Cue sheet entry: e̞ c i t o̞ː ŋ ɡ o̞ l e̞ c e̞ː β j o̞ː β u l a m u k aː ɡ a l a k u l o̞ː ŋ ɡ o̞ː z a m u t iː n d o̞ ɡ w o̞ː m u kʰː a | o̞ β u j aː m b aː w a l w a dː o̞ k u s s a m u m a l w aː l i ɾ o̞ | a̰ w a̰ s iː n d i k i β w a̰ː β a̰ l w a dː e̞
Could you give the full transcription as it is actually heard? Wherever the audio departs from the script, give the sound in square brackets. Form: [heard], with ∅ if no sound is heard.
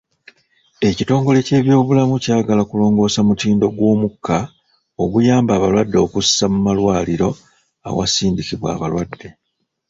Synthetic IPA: e̞ c i t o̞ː ŋ ɡ o̞ l e̞ c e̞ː β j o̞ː β u l a m u [c] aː ɡ a l a k u l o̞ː ŋ ɡ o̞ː [s] a m u t iː n d o̞ ɡ w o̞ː m u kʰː a | o̞ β u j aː m b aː [β] a l w a dː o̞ k u s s a m u m a l w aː l i ɾ o̞ | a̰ w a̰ s iː n d i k i β w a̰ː β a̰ l w a dː e̞